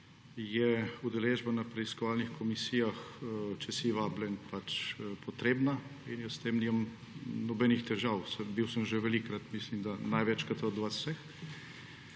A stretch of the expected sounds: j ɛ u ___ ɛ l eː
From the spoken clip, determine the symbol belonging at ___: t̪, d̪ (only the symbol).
d̪